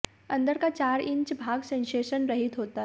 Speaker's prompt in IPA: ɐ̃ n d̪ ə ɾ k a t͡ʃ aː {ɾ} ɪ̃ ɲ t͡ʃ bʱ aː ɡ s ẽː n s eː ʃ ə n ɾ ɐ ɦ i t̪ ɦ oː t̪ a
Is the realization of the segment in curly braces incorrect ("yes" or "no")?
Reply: no